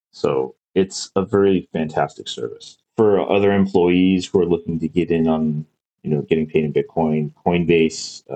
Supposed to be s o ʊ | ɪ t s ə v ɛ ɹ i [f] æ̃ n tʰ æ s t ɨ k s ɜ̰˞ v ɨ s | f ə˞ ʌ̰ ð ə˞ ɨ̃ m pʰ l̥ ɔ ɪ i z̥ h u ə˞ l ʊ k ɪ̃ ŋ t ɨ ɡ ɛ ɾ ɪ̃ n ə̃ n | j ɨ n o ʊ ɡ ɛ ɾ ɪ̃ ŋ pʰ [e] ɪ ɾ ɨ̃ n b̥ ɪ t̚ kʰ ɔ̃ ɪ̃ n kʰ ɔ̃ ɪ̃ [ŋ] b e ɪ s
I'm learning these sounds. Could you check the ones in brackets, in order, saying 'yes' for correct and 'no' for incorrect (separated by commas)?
yes, yes, no